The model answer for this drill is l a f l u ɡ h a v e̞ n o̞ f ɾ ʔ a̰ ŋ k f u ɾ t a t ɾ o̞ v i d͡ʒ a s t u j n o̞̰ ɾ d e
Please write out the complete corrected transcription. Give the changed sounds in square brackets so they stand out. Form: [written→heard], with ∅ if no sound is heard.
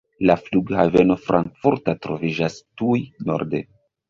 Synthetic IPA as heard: l a f l u ɡ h a v e̞ n o̞ f ɾ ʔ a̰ ŋ k f u ɾ t a t ɾ o̞ v i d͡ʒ a s t u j n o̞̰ ɾ d e